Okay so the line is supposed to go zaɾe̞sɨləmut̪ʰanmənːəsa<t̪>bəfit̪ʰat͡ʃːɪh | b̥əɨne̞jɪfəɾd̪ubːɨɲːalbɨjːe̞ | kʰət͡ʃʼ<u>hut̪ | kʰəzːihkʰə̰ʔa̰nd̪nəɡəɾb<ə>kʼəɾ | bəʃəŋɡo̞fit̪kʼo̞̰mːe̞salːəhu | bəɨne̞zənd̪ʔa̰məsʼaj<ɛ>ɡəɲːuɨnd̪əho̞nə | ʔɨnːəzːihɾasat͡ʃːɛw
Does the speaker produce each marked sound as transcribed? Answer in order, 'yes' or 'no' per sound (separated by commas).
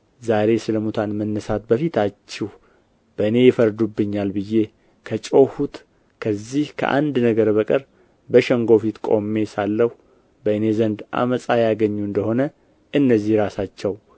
yes, no, yes, no